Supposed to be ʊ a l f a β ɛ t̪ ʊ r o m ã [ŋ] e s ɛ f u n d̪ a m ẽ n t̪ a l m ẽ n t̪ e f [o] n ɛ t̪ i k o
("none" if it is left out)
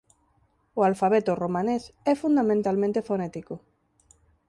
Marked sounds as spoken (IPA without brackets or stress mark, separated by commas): n, o